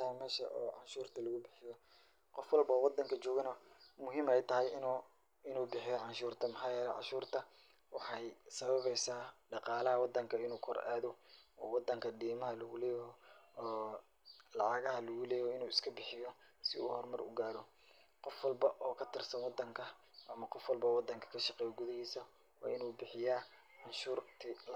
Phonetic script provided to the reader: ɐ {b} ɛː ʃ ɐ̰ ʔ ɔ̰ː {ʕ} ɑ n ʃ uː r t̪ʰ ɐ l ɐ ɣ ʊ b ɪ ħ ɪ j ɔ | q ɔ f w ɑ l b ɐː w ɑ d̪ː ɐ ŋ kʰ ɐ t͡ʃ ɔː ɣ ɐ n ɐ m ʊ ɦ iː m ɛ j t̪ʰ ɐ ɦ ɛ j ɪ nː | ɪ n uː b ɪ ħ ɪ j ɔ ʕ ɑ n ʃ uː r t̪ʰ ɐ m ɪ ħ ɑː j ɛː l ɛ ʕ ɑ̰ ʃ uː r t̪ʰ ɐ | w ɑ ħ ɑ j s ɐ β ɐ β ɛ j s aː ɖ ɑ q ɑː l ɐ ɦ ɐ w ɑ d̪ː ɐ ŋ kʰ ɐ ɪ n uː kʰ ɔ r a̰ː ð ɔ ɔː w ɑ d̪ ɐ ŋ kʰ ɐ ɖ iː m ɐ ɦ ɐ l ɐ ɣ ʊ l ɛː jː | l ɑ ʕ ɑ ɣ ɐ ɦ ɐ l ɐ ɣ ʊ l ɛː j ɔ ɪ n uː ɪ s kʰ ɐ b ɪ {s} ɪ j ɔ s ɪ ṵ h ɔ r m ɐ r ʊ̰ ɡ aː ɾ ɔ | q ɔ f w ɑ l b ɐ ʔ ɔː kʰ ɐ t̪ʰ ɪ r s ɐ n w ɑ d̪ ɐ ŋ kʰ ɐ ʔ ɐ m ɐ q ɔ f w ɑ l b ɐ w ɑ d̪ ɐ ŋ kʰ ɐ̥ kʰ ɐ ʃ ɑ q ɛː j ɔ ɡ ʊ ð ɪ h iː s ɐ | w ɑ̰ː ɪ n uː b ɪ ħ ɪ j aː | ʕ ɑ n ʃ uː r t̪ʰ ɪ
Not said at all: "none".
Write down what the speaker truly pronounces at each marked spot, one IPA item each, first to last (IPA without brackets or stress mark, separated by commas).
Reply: m, ʕ, ħ